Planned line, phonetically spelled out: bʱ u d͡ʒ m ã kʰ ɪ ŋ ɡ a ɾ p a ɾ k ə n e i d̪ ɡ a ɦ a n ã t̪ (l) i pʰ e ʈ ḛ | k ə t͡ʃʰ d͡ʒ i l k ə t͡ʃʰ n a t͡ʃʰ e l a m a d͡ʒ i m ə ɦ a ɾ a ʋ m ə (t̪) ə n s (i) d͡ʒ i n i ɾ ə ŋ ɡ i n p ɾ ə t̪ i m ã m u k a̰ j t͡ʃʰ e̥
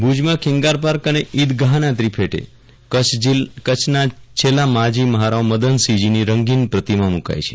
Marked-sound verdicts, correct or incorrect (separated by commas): incorrect, incorrect, correct